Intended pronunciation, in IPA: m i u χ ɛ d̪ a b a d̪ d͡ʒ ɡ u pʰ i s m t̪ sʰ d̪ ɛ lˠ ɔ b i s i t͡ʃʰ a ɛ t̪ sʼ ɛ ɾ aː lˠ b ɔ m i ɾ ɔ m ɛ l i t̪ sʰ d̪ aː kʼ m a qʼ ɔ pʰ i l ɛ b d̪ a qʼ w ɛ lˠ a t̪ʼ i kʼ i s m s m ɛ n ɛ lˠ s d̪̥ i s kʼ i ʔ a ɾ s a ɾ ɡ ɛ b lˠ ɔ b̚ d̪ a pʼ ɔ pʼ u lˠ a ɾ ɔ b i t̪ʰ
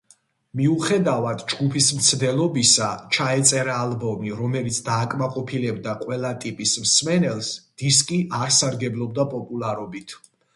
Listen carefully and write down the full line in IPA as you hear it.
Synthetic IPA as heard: m i u χ ɛ d̪ a v a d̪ d͡ʒ ɡ u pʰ i s m t̪ sʰ d̪ ɛ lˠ ɔ b i s a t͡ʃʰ a ɛ t̪ sʼ ɛ ɾ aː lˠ b ɔ m i ɾ ɔ m ɛ l i t̪ sʰ d̪ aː kʼ m a qʼ ɔ pʰ i l ɛ b d̪ a qʼ w ɛ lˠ a t̪ʼ i pʼ i s m s m ɛ n ɛ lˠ s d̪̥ i s kʼ i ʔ a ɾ s a ɾ ɡ ɛ b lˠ ɔ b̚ d̪ a pʼ ɔ pʼ u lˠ a ɾ ɔ b i t̪ʰ